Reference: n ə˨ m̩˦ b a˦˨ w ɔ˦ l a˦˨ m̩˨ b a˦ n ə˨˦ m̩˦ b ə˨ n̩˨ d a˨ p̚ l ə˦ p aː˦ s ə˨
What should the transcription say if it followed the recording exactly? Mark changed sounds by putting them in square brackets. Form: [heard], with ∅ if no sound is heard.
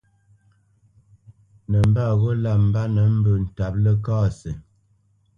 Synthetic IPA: n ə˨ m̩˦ b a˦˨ [ɣ] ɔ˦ l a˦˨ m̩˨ b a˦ n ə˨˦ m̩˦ b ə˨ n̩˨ [t] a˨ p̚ l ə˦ [k] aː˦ s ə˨